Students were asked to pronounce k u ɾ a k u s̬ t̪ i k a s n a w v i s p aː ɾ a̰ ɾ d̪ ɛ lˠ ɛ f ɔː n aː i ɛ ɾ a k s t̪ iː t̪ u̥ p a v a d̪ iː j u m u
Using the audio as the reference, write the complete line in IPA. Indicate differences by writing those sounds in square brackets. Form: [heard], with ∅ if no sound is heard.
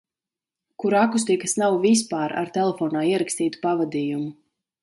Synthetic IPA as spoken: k u ɾ a k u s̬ t̪ i k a s n a w v i s p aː ɾ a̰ ɾ [t̪] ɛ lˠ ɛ f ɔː n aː i ɛ ɾ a k s t̪ iː t̪ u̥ p a v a d̪ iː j u m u